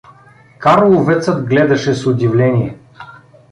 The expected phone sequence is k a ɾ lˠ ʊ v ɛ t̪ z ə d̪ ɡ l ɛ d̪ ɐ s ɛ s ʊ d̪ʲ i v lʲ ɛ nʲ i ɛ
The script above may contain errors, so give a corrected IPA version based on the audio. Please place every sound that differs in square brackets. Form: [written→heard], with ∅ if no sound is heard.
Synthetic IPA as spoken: k a ɾ lˠ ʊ v ɛ t̪ [z→s] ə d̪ ɡ l ɛ d̪ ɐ [s→ʃ] ɛ s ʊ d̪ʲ i v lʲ ɛ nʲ i ɛ